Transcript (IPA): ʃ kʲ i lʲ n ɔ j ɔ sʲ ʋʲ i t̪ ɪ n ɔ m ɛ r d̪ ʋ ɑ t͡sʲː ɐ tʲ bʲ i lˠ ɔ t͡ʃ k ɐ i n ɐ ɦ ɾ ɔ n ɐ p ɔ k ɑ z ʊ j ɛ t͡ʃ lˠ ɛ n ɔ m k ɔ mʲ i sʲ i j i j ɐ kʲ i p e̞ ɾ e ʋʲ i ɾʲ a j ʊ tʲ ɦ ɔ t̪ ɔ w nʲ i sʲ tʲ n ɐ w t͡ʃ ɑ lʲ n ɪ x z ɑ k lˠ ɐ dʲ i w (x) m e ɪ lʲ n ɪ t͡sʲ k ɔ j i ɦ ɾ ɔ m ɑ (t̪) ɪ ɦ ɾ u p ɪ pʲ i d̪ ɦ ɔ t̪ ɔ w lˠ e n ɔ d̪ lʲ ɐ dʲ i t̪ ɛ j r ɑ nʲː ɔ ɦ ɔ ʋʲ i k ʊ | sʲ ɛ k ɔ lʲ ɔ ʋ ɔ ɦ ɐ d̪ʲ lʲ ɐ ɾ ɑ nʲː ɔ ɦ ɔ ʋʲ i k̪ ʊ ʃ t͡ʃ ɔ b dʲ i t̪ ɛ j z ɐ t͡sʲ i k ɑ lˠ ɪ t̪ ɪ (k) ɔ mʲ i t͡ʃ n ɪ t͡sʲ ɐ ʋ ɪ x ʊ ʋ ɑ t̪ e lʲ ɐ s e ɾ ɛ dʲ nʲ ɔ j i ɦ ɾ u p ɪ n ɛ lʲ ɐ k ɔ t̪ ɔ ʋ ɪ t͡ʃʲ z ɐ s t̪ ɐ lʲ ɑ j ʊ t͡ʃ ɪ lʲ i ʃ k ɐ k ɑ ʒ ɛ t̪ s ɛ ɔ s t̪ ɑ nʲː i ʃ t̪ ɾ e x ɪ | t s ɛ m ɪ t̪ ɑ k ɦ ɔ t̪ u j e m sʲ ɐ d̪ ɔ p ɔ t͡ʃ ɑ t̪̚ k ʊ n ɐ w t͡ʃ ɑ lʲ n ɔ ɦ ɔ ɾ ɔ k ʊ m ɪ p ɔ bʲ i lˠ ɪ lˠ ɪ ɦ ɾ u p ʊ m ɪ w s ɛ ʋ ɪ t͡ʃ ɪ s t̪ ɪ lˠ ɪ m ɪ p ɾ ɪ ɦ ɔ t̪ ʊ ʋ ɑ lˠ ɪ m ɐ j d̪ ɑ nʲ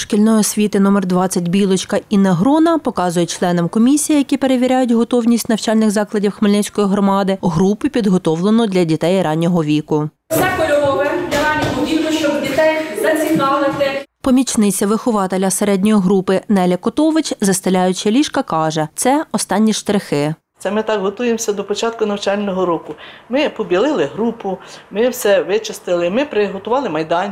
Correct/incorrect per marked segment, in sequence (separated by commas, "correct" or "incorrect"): correct, incorrect, incorrect